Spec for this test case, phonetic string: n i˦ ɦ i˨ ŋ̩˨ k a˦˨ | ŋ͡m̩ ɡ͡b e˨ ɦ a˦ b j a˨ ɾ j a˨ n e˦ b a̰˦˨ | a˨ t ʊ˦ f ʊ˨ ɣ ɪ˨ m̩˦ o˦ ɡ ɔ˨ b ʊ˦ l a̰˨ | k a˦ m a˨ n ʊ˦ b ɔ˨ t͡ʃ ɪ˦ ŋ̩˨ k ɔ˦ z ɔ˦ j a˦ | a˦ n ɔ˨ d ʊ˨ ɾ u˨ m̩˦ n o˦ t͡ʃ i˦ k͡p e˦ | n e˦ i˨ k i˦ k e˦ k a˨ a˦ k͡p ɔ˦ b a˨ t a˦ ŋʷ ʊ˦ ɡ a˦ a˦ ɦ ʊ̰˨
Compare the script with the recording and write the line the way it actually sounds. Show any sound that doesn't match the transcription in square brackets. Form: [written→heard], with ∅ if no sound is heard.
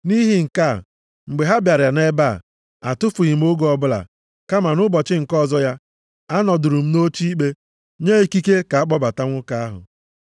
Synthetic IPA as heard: n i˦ ɦ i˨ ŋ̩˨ k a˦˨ | ŋ͡m̩ ɡ͡b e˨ ɦ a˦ b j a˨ ɾ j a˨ n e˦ b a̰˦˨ | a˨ t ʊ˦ f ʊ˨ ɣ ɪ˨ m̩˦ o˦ ɡ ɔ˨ b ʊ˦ l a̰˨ | k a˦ m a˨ n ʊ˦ b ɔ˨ t͡ʃ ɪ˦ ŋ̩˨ k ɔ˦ z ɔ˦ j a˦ | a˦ n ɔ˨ d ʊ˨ ɾ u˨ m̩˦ n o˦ t͡ʃ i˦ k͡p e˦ | [n→ɲ] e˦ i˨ k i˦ k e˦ k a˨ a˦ k͡p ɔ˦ b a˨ t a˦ ŋʷ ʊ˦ [ɡ→k] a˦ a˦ ɦ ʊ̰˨